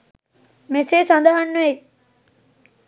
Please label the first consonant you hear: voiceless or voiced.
voiced